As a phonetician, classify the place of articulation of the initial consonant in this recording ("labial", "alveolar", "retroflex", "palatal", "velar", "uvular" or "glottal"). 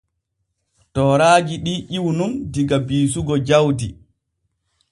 alveolar